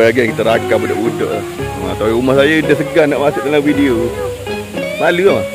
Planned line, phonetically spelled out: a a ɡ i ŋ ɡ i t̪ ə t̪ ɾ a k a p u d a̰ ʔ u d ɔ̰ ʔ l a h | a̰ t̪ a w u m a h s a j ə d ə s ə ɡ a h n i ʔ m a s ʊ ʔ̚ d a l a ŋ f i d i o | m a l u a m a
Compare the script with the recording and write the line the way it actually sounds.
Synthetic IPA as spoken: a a ɡ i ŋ k i t̪ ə ɾ a k a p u d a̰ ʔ u d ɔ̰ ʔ l a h | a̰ t̪ a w u m a h s a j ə d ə s ə ɡ a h n a ʔ m a s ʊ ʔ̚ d a l a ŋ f i d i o | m a l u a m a